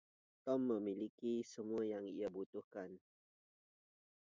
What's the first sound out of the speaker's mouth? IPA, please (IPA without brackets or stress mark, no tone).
t̪